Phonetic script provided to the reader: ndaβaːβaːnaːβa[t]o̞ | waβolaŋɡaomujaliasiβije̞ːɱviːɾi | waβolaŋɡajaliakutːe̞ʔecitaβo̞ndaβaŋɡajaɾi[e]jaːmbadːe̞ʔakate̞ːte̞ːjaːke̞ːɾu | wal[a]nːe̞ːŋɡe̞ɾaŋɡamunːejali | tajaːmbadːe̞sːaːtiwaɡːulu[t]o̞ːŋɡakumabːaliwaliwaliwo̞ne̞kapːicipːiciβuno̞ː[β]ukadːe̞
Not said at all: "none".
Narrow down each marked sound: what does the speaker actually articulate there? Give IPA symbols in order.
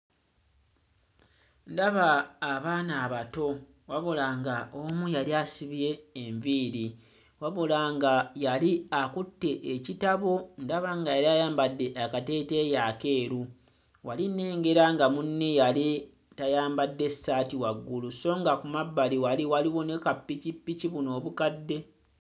t, a, i, s, β

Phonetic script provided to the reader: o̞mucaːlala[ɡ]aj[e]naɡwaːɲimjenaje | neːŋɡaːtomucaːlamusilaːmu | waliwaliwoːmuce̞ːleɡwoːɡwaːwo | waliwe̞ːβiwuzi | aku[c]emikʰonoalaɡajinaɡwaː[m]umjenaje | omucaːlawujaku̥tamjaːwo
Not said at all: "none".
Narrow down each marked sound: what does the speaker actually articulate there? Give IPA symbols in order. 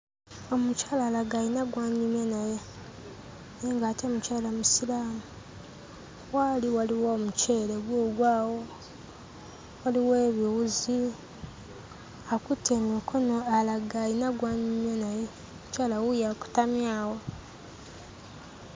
ɡ, i, t, ɲ

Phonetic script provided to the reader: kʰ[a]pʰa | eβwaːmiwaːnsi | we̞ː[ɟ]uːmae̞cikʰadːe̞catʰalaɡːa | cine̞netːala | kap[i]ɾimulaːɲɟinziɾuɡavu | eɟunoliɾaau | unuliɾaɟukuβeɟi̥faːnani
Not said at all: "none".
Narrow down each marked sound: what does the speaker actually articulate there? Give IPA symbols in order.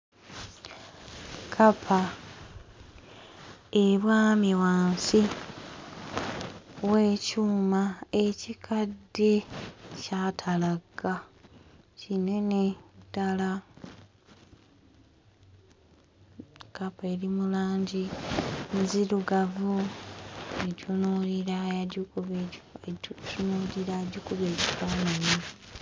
a, c, e

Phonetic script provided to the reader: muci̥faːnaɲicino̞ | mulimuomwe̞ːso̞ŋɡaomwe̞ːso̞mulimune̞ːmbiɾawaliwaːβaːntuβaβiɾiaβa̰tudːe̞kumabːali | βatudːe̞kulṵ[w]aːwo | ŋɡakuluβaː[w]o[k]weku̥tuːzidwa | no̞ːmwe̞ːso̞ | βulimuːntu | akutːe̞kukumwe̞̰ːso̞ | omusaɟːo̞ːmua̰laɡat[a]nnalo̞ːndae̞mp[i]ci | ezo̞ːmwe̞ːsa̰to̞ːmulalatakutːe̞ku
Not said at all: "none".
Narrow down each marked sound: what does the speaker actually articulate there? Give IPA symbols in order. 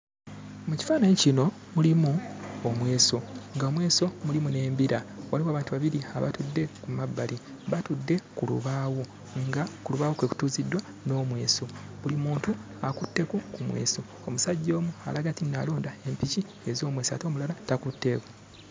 β, w, k, i, i

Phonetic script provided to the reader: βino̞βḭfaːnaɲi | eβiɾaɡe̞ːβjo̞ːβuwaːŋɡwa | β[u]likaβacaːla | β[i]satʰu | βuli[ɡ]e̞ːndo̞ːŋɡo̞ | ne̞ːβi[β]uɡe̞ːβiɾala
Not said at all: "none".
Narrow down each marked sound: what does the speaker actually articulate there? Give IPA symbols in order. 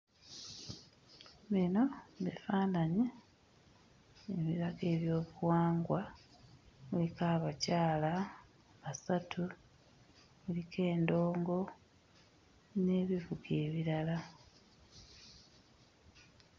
u, a, k, v

